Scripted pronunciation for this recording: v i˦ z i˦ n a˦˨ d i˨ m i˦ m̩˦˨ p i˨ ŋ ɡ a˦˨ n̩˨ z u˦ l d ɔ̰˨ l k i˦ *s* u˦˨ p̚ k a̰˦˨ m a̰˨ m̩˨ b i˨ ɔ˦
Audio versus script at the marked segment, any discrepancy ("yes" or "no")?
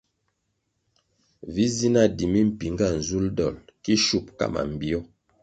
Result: yes